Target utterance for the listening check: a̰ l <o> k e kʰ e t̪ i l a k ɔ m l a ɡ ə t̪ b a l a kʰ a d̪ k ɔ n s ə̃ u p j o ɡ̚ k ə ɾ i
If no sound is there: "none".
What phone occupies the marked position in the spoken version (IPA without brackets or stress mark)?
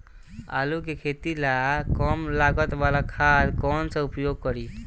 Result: u